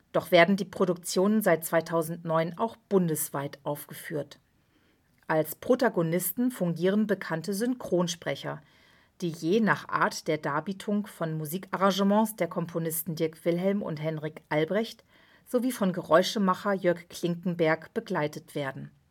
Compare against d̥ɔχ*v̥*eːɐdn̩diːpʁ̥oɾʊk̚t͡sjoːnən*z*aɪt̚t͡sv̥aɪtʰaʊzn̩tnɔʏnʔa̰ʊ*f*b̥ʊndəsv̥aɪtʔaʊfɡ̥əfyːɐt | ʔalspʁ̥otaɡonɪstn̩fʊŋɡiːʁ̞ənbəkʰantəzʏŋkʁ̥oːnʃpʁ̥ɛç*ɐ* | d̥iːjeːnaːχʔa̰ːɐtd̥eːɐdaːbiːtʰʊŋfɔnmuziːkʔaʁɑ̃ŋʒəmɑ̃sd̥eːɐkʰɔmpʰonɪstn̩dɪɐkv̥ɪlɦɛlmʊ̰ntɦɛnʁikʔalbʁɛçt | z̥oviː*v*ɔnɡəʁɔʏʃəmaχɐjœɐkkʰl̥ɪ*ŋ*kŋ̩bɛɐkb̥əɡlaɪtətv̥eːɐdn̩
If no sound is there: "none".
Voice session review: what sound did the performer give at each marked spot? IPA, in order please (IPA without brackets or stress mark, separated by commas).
v̥, z, x, ɐ, f, ŋ